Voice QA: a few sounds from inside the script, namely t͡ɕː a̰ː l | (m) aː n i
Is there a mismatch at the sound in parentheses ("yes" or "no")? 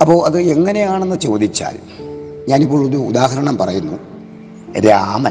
yes